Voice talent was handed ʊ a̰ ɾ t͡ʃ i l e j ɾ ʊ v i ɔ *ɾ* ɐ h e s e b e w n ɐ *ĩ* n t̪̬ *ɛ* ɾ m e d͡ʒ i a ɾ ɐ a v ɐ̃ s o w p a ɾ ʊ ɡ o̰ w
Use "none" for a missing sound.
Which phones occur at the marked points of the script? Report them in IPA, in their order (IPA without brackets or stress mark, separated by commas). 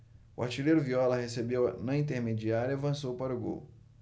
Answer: l, ĩ, e